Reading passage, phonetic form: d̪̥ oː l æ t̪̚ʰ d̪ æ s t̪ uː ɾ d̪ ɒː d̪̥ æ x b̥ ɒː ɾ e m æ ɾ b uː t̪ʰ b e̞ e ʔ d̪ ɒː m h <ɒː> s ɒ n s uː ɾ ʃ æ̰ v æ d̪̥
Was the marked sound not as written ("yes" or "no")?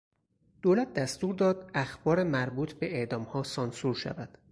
no